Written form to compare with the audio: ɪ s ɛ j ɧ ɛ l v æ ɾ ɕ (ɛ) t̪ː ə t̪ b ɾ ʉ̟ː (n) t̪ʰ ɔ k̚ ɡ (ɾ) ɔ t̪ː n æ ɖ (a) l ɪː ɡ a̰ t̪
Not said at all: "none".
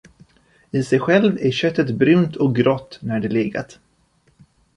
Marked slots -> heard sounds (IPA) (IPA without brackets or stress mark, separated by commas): œ, n, ɾ, ɛ